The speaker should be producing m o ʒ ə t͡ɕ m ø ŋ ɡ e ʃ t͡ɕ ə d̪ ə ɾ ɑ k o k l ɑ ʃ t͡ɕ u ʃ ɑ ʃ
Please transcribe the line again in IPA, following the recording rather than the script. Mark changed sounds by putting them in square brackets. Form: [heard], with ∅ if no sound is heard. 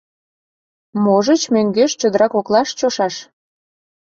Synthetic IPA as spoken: m o ʒ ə t͡ɕ m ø ŋ ɡ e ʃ t͡ɕ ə d̪ ə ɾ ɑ k o k l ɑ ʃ t͡ɕ [o] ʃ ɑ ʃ